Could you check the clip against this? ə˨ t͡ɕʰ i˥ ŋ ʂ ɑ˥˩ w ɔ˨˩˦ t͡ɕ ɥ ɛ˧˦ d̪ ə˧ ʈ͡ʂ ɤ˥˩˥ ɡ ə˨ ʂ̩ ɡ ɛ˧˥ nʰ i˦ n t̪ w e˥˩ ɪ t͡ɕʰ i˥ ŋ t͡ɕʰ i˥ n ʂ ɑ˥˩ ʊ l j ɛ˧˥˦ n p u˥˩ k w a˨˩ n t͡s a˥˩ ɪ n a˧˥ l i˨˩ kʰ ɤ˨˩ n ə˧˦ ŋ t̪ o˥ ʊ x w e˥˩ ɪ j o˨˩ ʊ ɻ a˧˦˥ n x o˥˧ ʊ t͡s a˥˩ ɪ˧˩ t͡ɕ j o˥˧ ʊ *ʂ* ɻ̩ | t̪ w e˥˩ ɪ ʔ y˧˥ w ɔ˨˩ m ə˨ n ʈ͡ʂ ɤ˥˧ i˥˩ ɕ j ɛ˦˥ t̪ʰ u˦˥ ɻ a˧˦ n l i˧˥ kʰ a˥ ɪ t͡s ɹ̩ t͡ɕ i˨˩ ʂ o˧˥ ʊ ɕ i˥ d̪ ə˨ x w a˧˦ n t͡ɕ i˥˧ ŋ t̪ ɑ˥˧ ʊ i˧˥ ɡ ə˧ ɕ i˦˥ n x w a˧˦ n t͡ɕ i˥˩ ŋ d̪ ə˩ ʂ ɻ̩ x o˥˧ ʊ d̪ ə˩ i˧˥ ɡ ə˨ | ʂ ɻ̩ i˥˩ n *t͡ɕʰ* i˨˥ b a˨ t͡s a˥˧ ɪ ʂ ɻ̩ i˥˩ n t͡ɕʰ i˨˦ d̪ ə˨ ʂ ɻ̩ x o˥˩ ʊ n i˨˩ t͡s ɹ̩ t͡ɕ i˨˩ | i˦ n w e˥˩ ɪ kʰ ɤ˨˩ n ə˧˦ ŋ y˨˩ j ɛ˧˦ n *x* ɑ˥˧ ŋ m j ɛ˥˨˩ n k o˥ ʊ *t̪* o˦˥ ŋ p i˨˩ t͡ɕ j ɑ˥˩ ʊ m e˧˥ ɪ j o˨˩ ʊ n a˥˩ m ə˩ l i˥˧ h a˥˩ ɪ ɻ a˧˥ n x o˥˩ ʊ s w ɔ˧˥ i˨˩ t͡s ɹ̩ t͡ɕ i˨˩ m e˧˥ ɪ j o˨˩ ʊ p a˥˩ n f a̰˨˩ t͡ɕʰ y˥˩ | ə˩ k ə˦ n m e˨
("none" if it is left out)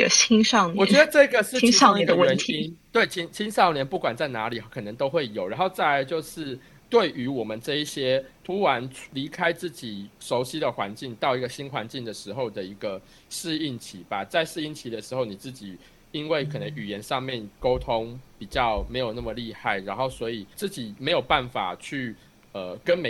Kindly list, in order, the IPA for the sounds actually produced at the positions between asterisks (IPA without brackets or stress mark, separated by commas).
ʂ, t͡ɕʰ, ʂ, t̪ʰ